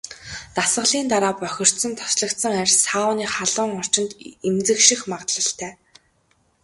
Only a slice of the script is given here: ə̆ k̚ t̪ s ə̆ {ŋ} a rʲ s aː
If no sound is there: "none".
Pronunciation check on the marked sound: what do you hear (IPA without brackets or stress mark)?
ŋ